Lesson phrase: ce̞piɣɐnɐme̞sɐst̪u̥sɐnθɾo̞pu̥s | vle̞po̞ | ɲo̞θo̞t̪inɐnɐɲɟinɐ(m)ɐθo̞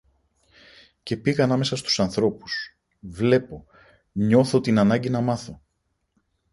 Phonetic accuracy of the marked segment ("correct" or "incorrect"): correct